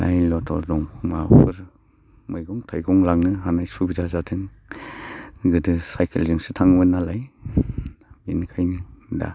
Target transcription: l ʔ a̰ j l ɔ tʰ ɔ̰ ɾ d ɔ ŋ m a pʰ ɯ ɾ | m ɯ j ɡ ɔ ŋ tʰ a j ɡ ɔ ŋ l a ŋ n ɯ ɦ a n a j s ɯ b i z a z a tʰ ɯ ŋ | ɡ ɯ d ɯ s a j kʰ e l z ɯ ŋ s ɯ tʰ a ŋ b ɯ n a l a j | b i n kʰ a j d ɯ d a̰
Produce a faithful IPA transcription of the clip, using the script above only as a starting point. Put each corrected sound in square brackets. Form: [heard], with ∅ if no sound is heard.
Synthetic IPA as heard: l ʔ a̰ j l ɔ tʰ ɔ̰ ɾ d ɔ ŋ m a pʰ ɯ ɾ | m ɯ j ɡ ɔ ŋ tʰ a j ɡ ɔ ŋ l a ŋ n ɯ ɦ a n a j s [u] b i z a z a tʰ ɯ ŋ | ɡ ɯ d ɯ s a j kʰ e l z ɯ ŋ s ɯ tʰ a ŋ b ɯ n a l a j | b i n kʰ a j [n] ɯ d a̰